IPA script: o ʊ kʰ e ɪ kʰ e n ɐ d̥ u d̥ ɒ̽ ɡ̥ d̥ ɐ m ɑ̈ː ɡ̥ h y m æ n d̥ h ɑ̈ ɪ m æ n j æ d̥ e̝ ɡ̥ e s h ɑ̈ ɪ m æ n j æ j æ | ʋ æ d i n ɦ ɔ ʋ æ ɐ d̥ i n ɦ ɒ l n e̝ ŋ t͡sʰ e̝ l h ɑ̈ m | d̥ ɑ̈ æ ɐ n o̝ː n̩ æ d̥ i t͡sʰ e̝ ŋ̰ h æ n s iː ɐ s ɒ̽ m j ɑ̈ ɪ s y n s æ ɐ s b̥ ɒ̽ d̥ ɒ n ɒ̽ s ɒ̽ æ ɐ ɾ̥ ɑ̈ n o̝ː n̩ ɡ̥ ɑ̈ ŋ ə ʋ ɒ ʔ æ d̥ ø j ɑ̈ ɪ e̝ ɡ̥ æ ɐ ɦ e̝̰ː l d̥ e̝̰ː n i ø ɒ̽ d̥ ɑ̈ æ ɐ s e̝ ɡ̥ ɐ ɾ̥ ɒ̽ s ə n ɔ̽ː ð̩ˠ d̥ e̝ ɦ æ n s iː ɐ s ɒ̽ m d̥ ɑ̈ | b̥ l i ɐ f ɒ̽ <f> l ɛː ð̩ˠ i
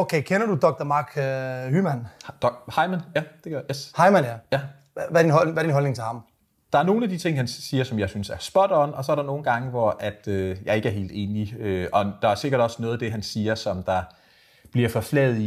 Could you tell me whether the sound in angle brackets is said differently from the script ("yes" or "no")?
no